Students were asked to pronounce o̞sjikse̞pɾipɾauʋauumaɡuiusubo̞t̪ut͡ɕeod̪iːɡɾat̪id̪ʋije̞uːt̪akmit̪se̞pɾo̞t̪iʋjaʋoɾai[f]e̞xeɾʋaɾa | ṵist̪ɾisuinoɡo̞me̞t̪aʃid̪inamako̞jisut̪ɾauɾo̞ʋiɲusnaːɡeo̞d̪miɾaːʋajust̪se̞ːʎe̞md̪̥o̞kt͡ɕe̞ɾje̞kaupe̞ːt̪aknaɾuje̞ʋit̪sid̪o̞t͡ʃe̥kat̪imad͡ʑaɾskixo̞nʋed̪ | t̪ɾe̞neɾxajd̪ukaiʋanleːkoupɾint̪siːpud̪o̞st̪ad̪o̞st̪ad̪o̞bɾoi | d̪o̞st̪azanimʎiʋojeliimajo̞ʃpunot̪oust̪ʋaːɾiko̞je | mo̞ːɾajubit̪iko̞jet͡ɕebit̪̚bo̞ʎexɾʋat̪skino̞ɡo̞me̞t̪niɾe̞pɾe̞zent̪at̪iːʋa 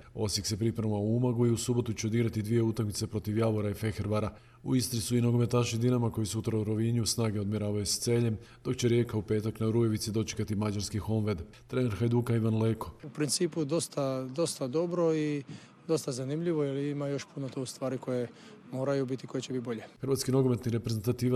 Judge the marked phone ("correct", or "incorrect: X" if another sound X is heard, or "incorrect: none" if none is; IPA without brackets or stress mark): correct